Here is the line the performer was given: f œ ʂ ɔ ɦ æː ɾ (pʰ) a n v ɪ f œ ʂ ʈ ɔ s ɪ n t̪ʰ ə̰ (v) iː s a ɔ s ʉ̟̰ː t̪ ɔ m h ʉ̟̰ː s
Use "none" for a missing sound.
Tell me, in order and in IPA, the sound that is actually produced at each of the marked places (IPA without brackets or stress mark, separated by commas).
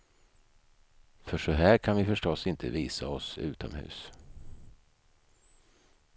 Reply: kʰ, v